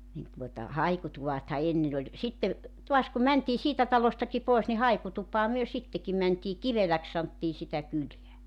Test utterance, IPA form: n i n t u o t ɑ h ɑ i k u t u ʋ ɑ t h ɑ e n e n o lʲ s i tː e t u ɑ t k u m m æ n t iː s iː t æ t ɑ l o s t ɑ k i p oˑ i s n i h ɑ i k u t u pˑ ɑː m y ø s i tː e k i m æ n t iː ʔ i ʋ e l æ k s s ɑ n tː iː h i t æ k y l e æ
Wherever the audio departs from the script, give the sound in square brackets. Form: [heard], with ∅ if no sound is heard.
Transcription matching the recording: n i n t u o t ɑ h ɑ i k u t u ʋ ɑ t h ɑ e [nː] e n o lʲ s i tː e t u ɑ [s] k u m m æ n t iː s iː t æ t ɑ l o s t ɑ k i p oˑ i s n i h ɑ i k u t u pˑ ɑː m y ø s i tː e k i m æ n t iː [k] i ʋ e l æ k s s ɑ n tː iː [s] i t æ k y l e æ